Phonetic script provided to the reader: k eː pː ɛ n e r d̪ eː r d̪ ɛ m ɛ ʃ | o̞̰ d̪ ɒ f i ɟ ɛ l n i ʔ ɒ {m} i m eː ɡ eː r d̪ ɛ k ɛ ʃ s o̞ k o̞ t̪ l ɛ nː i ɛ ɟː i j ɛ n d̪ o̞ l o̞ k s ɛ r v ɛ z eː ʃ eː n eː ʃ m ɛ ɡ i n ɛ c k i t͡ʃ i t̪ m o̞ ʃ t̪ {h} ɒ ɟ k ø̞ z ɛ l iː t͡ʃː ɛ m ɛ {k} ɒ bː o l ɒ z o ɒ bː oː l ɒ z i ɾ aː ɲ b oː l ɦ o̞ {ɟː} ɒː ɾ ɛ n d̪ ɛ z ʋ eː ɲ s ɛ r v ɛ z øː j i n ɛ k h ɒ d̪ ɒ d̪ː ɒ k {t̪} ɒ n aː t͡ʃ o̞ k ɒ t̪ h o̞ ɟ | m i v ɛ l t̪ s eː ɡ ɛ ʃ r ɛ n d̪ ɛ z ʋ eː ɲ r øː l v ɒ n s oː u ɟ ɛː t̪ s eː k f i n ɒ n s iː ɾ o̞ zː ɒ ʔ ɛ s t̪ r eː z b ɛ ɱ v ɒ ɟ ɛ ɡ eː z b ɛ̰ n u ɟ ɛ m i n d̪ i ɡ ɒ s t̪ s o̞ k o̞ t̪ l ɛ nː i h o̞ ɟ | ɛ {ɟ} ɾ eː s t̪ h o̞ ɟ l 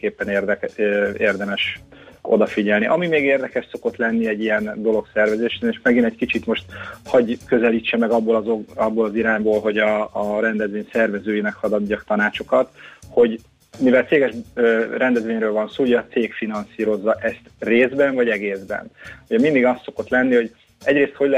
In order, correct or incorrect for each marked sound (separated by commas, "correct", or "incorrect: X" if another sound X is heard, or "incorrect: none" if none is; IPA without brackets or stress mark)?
correct, correct, incorrect: ɡ, incorrect: ɟ, correct, correct